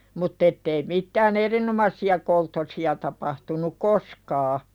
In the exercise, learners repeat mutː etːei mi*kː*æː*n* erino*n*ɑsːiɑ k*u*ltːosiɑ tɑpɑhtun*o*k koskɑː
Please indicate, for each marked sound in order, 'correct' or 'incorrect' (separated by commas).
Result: incorrect, correct, incorrect, incorrect, incorrect